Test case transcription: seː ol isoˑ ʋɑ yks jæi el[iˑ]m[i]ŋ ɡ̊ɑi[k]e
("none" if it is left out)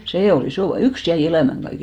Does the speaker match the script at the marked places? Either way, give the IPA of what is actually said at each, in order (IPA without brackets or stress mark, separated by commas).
æˑ, æ, k